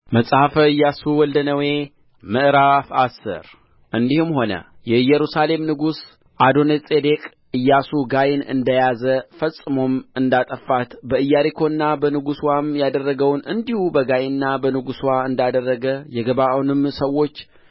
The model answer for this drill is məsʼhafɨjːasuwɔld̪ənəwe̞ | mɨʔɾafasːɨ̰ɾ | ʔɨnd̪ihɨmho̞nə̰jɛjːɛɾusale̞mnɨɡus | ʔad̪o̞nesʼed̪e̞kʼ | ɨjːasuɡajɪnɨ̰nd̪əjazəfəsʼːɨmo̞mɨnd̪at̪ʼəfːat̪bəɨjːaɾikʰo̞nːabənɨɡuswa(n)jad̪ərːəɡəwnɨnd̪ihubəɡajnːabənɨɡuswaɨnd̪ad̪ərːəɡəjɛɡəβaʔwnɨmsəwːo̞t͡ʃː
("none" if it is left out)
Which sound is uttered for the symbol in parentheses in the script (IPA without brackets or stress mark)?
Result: m